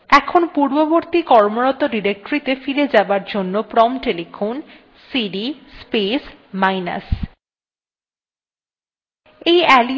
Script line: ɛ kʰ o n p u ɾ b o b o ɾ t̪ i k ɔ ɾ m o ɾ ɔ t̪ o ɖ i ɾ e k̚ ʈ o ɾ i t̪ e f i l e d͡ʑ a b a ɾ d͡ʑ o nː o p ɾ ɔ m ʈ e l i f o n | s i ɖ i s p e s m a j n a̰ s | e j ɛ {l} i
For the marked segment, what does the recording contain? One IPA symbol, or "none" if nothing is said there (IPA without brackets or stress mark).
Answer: l